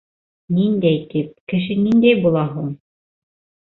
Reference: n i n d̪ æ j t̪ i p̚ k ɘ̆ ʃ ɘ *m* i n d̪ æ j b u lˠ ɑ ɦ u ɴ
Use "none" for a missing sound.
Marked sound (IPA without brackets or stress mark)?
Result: n